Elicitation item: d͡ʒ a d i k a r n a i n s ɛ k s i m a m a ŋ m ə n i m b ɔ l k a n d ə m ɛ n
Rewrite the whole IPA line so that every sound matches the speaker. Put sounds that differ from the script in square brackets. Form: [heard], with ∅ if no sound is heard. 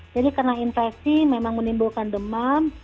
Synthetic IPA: d͡ʒ a d i k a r n a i n [f] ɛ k s i m [e] m a ŋ m ə n i m b [u] l k a n d ə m [a] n